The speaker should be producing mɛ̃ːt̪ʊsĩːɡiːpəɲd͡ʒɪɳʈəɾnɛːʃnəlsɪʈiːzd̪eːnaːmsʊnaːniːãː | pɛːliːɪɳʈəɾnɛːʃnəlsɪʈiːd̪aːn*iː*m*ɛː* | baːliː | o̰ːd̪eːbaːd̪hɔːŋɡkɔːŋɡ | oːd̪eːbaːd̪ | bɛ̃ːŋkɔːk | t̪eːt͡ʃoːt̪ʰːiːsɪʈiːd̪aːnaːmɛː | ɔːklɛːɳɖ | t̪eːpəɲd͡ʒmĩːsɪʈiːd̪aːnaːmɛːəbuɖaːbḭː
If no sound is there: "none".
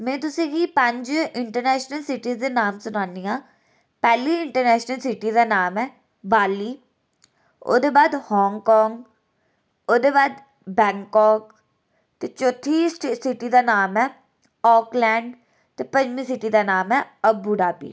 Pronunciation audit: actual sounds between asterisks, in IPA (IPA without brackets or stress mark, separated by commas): aː, ɛː